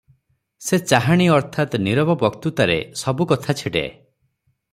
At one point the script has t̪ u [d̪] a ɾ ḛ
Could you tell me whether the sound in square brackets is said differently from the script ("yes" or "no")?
yes